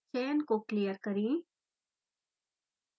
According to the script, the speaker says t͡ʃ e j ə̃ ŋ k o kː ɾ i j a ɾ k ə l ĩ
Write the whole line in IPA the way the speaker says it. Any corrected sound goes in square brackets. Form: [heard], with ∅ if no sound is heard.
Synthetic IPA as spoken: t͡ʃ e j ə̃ [n] k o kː [l] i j [ə] ɾ k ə [ɾ] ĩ